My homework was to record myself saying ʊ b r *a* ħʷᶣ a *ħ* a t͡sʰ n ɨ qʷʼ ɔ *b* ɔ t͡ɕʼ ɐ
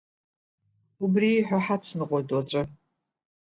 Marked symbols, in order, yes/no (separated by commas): no, yes, no